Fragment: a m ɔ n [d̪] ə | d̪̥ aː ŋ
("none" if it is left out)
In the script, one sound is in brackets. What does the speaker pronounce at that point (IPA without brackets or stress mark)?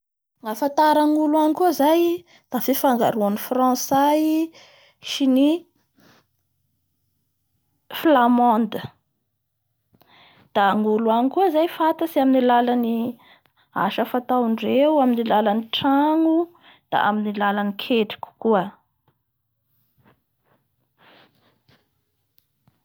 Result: d̪